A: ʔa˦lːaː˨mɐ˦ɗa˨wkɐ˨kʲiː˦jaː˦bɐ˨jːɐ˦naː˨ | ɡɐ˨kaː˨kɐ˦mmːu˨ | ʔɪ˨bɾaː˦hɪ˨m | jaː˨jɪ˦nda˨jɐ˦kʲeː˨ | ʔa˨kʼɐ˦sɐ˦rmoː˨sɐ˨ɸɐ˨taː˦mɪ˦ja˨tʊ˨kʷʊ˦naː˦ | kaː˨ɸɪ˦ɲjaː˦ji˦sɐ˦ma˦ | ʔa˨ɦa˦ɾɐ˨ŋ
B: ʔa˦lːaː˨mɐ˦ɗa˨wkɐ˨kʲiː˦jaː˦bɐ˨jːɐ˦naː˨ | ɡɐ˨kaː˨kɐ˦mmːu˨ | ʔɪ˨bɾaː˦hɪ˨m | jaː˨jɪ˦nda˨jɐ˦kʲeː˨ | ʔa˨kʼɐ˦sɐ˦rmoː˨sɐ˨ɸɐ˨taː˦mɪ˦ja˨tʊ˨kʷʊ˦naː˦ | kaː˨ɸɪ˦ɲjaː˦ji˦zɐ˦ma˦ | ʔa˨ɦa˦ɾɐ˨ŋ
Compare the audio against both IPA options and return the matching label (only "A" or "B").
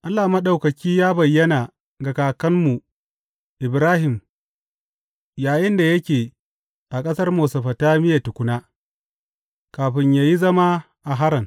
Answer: B